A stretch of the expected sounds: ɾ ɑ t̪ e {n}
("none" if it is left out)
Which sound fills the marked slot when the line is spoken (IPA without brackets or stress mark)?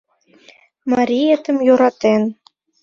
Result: n